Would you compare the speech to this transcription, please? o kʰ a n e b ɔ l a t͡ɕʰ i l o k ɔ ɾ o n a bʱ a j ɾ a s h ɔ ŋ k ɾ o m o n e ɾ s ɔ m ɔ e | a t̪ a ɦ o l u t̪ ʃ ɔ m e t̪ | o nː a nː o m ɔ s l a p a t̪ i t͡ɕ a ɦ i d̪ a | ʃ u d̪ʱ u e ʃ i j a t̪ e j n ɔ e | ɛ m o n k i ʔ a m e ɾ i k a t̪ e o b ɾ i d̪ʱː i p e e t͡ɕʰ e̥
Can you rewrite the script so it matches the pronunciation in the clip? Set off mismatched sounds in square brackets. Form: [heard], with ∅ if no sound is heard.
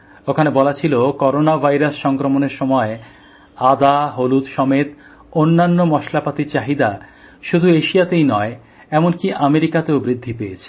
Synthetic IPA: o kʰ a n e b ɔ l a t͡ɕʰ i l o k ɔ ɾ o n a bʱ a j ɾ a s [ʃ] ɔ ŋ k ɾ o m o n e ɾ [ʃ] ɔ m ɔ e | a [d̪] a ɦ o l u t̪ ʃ ɔ m e t̪ | o nː a nː o m ɔ [ʃ] l a p a t̪ i t͡ɕ a ɦ i d̪ a | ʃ u d̪ʱ u e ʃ i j a t̪ e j n ɔ e | ɛ m o n k i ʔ a m e ɾ i k a t̪ e o b ɾ i d̪ʱː i p e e t͡ɕʰ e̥